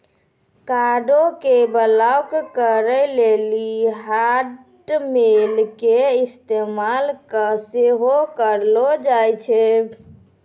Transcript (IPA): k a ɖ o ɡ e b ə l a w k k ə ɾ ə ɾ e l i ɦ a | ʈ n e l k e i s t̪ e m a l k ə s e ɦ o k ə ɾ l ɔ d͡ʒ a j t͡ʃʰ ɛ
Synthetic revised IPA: k a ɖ o k e b ə l a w k k ə ɾ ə l e l i ɦ a | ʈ m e l k e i s t̪ e m a l k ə s e ɦ o k ə ɾ l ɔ d͡ʒ a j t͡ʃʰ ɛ